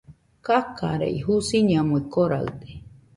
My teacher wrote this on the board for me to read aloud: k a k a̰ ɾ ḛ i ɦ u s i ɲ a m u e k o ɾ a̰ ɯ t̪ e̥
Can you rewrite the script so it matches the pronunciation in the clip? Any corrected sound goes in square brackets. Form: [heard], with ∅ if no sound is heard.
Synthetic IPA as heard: k a k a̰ ɾ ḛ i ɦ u s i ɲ a m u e k o ɾ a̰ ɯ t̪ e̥